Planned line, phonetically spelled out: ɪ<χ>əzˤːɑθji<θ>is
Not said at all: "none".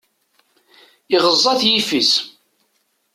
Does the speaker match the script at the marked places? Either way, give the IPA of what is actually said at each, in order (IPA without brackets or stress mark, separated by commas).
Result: ʁ, f